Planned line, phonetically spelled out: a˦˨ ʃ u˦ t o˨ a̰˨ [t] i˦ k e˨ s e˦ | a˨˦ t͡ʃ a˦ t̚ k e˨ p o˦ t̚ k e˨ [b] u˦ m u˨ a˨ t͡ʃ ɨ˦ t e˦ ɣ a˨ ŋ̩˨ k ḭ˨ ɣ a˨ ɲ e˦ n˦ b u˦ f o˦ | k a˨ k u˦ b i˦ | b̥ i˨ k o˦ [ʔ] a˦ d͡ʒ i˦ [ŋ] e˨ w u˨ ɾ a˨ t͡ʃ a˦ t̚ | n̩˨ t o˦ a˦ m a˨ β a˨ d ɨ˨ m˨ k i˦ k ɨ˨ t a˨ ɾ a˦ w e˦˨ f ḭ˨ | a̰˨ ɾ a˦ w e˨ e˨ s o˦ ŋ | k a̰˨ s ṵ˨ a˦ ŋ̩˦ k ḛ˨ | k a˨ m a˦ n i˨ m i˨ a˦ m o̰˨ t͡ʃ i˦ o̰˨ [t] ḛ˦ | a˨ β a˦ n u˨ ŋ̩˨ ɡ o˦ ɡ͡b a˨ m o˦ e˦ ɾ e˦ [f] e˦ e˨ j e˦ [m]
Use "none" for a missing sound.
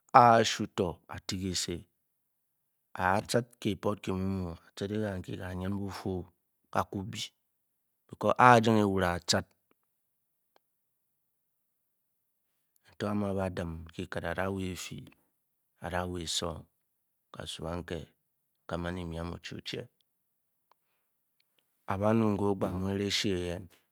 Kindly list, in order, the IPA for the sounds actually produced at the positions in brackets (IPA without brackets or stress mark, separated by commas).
t, m, ʔ, ŋ, t͡ʃ, ʃ, n